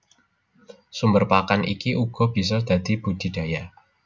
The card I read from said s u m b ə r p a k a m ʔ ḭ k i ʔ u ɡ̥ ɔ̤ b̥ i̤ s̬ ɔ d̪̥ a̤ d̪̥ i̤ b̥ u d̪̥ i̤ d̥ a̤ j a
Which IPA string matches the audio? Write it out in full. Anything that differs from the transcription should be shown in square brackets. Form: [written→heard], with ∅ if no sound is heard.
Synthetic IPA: s u m b ə r p a k a [m→n] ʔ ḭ k i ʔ u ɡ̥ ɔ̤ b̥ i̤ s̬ ɔ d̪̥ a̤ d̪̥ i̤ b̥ u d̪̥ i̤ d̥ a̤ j a